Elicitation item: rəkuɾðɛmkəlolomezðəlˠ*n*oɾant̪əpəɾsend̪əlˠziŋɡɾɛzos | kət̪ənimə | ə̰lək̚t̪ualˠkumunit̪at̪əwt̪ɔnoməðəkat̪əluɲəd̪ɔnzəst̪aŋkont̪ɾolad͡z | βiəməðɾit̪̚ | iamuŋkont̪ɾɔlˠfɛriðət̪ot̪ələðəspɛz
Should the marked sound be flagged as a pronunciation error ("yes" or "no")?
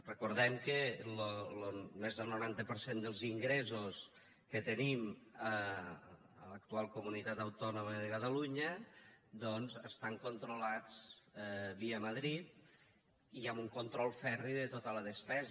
no